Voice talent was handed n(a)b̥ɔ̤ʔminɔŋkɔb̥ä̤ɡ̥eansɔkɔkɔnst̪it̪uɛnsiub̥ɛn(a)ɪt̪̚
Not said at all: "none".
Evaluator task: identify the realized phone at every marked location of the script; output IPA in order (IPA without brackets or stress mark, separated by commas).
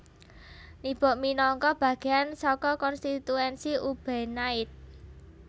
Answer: i, a